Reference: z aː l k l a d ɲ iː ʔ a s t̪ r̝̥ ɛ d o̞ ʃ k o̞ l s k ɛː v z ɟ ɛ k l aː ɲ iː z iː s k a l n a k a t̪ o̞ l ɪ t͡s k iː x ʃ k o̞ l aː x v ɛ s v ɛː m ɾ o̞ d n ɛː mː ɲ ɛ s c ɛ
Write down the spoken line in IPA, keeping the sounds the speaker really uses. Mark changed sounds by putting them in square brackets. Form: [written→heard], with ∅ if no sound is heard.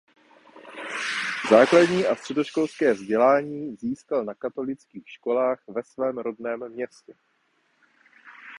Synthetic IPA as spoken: z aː [l→∅] k l a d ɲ iː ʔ a s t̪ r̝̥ ɛ d o̞ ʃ k o̞ l s k ɛː v z ɟ ɛ [k→∅] l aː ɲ iː z iː s k a l n a k a t̪ o̞ l ɪ t͡s k iː x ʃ k o̞ l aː x v ɛ s v ɛː m ɾ o̞ d n ɛː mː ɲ ɛ s c ɛ